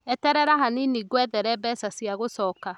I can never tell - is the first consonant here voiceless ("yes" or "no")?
yes